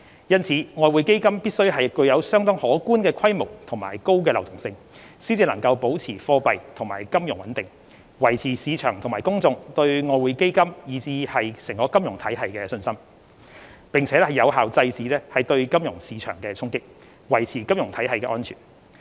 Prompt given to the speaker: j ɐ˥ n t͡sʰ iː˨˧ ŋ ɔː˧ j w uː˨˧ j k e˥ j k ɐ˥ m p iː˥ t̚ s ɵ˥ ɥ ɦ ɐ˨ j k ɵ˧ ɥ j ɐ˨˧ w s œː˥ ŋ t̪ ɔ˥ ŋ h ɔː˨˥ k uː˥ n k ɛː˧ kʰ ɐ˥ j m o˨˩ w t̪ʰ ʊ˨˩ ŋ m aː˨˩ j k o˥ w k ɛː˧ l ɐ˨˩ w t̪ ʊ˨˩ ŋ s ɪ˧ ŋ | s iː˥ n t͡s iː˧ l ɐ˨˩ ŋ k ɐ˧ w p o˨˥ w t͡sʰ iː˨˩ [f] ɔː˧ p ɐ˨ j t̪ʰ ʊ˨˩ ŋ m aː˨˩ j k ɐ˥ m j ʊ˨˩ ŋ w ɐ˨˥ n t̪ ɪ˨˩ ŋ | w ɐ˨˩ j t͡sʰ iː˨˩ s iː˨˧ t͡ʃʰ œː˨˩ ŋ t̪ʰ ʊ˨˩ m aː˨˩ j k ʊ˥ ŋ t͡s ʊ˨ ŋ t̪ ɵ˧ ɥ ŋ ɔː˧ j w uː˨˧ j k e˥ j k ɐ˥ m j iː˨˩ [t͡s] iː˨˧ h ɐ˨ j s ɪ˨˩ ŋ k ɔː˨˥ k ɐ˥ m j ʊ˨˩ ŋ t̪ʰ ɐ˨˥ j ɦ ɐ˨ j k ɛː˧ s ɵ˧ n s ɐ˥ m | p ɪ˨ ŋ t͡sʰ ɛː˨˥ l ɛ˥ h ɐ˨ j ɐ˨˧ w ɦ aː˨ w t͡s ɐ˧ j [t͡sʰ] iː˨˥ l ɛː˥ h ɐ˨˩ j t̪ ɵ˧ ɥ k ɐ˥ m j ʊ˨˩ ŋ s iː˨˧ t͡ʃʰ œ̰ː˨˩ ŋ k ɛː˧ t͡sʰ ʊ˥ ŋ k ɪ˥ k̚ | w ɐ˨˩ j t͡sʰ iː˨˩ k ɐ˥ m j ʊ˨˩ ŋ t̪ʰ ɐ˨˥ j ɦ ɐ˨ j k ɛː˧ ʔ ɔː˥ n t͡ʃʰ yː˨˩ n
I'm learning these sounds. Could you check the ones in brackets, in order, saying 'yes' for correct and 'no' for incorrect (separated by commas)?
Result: yes, yes, no